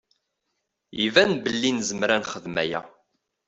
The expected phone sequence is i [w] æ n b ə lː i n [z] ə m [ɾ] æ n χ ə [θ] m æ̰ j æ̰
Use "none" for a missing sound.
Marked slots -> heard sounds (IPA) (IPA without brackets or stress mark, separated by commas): v, z, ɾ, ð